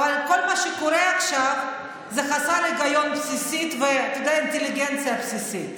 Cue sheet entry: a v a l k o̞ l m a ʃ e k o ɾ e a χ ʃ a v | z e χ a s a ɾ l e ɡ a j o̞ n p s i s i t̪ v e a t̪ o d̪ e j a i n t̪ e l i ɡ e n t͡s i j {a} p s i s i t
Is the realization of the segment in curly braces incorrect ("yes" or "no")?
no